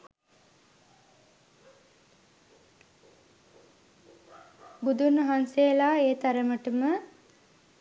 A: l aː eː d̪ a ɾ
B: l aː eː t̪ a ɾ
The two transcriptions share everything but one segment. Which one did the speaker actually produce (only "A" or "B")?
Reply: B